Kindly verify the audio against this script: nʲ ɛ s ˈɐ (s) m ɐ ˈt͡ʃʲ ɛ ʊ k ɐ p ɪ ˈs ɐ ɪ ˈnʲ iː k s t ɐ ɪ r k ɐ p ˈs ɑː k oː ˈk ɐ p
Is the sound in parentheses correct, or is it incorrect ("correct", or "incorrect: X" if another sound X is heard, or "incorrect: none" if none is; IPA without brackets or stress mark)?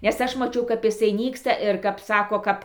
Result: incorrect: ʃ